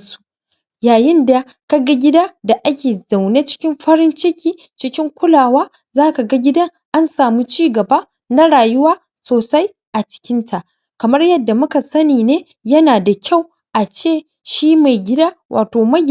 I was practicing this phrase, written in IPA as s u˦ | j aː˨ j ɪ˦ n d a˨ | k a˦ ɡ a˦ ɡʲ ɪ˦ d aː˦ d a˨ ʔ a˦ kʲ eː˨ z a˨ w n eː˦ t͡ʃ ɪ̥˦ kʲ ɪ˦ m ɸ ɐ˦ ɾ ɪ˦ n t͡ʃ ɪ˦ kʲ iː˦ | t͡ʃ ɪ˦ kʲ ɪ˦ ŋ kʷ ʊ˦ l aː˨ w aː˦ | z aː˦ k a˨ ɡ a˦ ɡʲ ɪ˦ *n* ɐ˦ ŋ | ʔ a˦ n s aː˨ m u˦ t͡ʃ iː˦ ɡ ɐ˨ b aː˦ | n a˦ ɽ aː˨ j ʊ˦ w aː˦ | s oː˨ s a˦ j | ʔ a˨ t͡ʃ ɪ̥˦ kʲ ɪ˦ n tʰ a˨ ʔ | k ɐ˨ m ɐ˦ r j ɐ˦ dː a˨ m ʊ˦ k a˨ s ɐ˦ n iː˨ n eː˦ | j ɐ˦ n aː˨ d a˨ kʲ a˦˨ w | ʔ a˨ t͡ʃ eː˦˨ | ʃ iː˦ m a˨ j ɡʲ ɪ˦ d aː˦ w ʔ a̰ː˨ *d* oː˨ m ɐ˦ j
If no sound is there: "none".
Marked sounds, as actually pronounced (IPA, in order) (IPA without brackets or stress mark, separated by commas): d, t